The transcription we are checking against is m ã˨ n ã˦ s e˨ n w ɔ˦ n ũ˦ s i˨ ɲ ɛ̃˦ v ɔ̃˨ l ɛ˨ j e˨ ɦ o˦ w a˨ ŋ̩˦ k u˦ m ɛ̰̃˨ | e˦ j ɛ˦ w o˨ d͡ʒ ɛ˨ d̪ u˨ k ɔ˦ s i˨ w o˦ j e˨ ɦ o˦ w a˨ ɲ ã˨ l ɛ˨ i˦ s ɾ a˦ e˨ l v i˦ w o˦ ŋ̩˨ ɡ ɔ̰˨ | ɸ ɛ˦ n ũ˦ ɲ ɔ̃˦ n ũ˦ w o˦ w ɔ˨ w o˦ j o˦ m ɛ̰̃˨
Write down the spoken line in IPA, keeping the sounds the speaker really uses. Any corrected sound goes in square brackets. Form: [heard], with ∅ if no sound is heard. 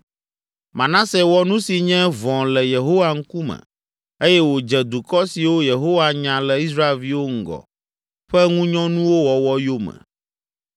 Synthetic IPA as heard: m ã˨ n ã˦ s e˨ [∅] w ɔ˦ n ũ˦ s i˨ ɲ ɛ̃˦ v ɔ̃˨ l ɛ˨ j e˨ ɦ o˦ w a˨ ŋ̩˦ k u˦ m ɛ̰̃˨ | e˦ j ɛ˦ w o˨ d͡ʒ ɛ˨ d̪ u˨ k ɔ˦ s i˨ w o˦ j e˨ ɦ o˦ w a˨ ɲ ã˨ l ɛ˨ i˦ s ɾ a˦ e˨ l v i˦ w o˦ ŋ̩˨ ɡ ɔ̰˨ | ɸ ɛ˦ [ŋ] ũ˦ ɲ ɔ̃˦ n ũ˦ w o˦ w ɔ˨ w [ɔ˦] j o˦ m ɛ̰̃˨